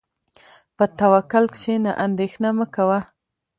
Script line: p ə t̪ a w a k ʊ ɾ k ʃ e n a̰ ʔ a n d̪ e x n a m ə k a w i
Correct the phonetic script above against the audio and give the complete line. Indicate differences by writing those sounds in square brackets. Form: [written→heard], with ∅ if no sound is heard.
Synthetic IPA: p ə t̪ a w a k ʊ [ɾ→l] k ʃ e n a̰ ʔ a n d̪ e x n a m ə k a w [i→a]